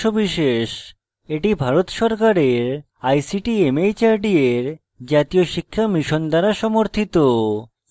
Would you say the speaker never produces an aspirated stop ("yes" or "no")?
no